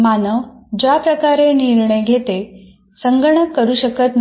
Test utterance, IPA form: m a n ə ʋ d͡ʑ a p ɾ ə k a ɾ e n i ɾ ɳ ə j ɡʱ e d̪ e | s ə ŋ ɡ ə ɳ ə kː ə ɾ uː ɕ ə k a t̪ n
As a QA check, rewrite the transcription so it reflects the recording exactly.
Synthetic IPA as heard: m a n ə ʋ d͡ʑ a p ɾ ə k a ɾ e n i ɾ ɳ ə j ɡʱ e t̪ e | s ə ŋ ɡ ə ɳ ə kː ə ɾ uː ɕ ə k ə t̪ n

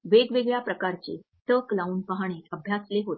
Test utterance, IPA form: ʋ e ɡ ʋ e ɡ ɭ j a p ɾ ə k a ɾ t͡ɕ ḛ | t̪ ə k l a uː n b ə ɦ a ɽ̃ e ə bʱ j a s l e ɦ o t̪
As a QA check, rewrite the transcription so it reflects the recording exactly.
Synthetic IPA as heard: ʋ e ɡ ʋ e ɡ ɭ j a p ɾ ə k a ɾ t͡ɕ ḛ | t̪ ə k l a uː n p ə ɦ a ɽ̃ e ə bʱ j a s l e ɦ o t̪

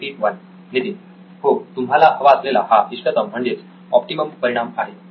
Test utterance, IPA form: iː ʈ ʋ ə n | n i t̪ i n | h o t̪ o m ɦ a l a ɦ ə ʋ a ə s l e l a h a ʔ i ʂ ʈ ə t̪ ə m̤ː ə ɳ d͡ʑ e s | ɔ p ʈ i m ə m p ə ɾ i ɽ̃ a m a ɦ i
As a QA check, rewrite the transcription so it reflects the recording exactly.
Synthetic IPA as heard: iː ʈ ʋ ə n | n i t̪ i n | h o t̪ u m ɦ a l a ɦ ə ʋ a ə s l e l a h a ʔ i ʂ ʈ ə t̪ ə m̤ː ə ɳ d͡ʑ e t͡s | ɔ p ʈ i m ə m p ə ɾ i ɽ̃ a m a ɦ e

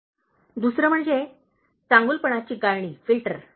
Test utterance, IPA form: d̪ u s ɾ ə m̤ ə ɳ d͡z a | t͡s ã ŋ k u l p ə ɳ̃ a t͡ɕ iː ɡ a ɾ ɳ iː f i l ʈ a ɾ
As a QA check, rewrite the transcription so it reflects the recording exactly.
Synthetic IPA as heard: d̪ u s ɾ ə m̤ ə ɳ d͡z e | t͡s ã ŋ ɡ u l p ə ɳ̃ a t͡ɕ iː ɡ a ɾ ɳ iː f i l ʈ ə ɾ

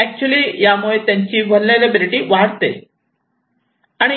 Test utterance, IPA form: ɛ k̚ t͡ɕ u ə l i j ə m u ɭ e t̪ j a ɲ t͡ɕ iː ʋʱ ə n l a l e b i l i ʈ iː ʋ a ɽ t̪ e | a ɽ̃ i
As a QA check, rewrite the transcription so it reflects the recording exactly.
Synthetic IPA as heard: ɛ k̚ t͡ɕ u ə l i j a m u ɭ e t̪ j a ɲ t͡ɕ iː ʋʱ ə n l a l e b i l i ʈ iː ʋ a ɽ t̪ e | a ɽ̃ i

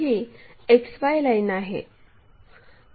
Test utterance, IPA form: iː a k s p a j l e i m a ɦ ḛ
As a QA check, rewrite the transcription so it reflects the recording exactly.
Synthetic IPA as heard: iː e k s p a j l a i n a ɦ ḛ

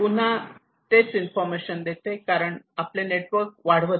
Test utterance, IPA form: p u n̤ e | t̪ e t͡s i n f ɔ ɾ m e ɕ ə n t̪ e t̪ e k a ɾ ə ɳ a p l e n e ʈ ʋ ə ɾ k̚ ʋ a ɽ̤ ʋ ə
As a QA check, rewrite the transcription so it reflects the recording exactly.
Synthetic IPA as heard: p u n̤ a | t̪ e t͡s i n f ɔ ɾ m e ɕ ə n d̪ e t̪ e k a ɾ ə ɳ a p l e n e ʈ ʋ ə ɾ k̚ ʋ a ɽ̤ ʋ ə

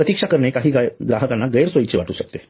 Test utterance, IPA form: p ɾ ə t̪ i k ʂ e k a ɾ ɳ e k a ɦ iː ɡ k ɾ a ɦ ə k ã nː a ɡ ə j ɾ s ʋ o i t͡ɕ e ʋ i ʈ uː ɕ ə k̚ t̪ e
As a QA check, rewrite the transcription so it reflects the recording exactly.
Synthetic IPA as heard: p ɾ ə t̪ i k ʂ a k ə ɾ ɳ e k a ɦ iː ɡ ɡ ɾ a ɦ ə k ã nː a ɡ ə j ɾ s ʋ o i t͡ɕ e ʋ a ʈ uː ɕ ə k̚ t̪ e

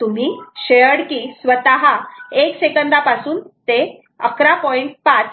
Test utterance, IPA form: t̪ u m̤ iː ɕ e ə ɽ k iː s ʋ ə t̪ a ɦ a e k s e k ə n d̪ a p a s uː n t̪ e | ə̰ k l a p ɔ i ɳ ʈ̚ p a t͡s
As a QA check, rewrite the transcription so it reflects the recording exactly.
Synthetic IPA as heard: t̪ u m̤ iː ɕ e ə ɽ k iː s ʋ ə t̪ a ɦ a e k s e k ə n d̪ a p a s uː n t̪ e | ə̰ k ɾ a p ɔ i ɳ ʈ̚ p a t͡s

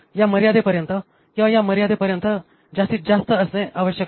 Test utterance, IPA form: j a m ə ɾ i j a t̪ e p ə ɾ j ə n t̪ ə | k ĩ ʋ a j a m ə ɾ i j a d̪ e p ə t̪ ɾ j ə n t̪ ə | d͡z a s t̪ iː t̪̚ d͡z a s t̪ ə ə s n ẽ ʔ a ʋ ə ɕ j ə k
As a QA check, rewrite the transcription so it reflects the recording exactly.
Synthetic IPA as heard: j a m ə ɾ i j a d̪ e p ə ɾ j ə n t̪ ə | k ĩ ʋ a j a m ə ɾ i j a d̪ e p ə ɾ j ə n t̪ ə | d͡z a s t̪ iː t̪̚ d͡z a s t̪ ə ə s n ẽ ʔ a ʋ ə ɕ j ə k

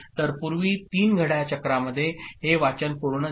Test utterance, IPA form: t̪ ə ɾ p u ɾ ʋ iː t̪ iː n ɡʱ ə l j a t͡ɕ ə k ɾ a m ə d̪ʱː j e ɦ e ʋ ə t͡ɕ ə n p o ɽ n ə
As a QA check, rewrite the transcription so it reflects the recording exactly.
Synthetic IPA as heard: t̪ ə ɾ p u ɾ ʋ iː t̪ iː n ɡʱ ə ɽ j a t͡ɕ ə k ɾ a m ə d̪ʱː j e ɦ e ʋ a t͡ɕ ə n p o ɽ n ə

